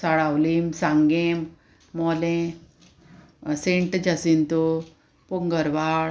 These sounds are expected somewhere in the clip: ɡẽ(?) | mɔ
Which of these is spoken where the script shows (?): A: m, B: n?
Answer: A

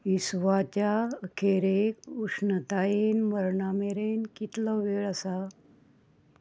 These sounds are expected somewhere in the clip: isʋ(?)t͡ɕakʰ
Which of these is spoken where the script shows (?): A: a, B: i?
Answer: A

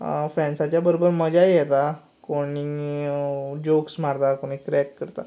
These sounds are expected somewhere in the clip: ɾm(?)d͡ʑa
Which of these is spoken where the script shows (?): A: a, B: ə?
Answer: B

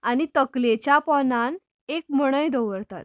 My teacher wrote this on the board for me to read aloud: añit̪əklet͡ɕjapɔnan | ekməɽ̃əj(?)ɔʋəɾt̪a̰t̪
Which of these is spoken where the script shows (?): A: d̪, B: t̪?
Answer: A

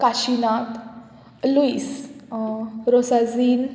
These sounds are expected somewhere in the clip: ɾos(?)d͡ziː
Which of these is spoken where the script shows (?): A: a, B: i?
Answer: A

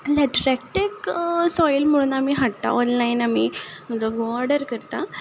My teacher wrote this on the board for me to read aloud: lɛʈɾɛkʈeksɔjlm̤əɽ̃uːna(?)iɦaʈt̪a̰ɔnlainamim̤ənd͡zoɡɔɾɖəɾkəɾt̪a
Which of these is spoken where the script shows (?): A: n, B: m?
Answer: B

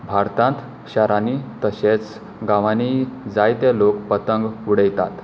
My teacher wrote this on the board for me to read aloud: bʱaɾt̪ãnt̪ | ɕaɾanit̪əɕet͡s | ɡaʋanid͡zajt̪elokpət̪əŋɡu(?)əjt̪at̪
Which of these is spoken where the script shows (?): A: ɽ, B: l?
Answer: A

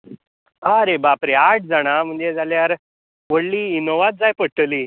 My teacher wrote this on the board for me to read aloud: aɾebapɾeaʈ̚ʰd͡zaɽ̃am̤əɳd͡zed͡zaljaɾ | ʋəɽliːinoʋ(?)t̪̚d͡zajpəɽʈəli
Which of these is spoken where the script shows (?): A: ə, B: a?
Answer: B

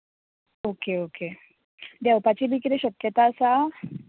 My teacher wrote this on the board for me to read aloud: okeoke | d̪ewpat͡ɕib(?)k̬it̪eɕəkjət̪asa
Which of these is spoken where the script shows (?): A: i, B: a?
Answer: A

